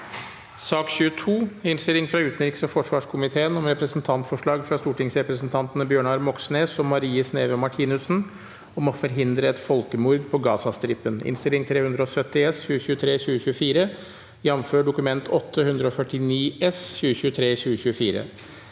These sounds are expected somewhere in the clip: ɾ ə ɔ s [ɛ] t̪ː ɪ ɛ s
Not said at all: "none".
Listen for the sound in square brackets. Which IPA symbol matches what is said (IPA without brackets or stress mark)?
œ